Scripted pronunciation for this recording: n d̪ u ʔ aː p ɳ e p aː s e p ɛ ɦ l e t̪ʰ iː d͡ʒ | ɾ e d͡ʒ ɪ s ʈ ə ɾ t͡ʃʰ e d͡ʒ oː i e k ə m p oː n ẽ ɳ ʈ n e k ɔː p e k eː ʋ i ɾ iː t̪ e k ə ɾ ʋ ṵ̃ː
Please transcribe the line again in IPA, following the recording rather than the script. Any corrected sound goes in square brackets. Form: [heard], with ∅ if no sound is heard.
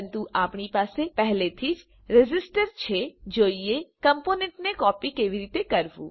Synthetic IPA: n [t̪] u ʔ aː p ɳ [i] p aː s e p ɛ ɦ l e t̪ʰ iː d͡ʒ | ɾ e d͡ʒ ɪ s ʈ ə ɾ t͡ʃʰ e d͡ʒ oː i e k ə m p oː n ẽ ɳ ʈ n e k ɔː p [i] k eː ʋ i ɾ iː t̪ e k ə ɾ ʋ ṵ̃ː